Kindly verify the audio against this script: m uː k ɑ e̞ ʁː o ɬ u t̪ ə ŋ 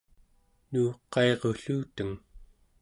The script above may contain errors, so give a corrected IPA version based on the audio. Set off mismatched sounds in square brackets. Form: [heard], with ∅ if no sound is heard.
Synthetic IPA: [n] uː [q] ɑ e̞ [ʁ] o ɬ [uː] t̪ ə ŋ